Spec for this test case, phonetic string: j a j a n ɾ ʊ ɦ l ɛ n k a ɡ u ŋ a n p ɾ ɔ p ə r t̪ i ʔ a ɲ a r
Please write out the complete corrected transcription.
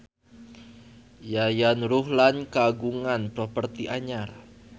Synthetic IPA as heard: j a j a n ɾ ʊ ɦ l a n k a ɡ u ŋ a n p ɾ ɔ p ə r t̪ i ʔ a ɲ a r